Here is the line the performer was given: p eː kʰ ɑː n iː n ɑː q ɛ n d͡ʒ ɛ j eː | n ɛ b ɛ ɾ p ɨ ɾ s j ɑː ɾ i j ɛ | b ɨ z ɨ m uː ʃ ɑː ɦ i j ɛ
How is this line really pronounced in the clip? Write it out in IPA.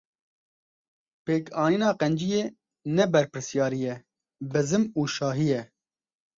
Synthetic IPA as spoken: p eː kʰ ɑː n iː n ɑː q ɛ n d͡ʒ i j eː | n ɛ b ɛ ɾ p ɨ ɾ s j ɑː ɾ i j ɛ | b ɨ z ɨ m uː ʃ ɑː ɦ i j ɛ